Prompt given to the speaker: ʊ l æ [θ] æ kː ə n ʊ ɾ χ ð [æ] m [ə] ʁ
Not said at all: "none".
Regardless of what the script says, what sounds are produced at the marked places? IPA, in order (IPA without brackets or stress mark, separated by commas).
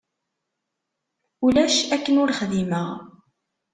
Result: ʃ, i, ə